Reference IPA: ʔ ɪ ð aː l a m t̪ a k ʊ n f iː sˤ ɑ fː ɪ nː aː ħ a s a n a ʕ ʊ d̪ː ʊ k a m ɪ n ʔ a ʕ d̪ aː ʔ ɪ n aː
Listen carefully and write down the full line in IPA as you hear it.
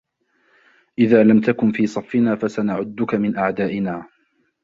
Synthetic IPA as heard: ʔ ɪ ð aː l a m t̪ a k ʊ n f iː sˤ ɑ fː ɪ n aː f a s a n a ʕ ʊ d̪ː ʊ k a m ɪ n ʔ a ʕ d̪ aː ʔ ɪ n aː